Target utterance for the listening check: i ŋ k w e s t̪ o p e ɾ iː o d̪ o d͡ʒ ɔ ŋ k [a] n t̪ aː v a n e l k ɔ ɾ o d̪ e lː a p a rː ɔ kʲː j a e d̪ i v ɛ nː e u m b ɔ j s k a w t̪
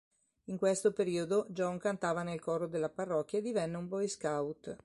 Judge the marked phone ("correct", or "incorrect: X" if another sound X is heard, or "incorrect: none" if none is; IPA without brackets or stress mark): correct